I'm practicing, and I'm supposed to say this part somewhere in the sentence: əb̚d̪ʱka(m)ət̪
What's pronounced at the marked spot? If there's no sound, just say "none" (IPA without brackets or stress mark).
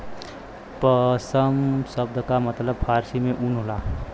m